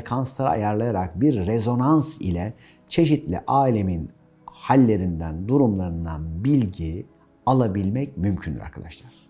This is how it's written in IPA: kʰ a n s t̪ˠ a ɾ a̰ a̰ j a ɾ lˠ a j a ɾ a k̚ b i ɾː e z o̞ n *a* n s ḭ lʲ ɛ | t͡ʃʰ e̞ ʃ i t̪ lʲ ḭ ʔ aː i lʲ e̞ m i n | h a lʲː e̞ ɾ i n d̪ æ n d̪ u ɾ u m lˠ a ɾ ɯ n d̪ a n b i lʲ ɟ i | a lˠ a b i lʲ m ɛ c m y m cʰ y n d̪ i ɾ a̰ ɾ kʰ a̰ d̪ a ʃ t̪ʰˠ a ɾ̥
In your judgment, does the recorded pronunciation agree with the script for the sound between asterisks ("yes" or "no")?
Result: yes